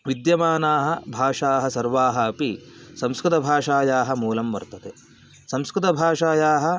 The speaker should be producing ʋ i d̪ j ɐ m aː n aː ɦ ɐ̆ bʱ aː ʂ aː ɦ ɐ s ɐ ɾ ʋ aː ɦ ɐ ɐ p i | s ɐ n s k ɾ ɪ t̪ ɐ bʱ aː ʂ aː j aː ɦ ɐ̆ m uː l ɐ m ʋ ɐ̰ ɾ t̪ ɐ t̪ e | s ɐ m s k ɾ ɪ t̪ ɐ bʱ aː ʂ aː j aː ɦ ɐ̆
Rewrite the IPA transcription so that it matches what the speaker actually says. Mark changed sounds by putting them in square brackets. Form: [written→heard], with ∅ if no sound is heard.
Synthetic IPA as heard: ʋ i d̪ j ɐ m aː n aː ɦ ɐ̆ bʱ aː ʂ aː ɦ ɐ s ɐ ɾ ʋ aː ɦ ɐ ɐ p i | s ɐ [n→m] s k ɾ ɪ t̪ ɐ bʱ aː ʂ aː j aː ɦ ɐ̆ m uː l ɐ m ʋ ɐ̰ ɾ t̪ ɐ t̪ e | s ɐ m s k ɾ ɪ t̪ ɐ bʱ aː ʂ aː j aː ɦ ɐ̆